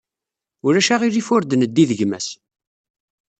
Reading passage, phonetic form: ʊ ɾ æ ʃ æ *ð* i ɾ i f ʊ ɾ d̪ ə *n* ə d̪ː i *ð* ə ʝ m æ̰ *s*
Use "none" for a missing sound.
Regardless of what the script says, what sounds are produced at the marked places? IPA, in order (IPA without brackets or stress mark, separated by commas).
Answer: ʁ, n, ð, s